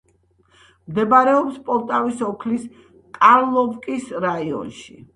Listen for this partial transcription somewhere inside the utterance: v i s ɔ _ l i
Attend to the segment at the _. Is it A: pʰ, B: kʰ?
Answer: B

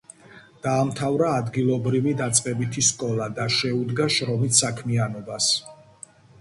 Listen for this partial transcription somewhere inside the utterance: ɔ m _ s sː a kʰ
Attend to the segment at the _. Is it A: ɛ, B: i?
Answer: B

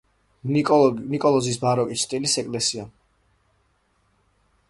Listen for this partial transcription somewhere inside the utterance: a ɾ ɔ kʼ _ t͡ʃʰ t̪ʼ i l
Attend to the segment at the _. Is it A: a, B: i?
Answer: B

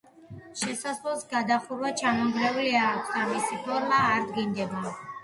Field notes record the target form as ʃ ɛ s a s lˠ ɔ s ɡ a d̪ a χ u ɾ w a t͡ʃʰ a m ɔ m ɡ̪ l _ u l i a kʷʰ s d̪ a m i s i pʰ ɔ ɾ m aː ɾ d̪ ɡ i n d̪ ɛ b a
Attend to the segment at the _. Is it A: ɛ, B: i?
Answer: A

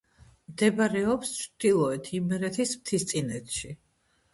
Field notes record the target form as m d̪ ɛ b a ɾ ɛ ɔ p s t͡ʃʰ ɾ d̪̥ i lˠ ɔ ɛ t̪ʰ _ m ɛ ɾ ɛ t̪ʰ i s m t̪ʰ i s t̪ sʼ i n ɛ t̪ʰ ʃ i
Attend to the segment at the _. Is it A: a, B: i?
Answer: B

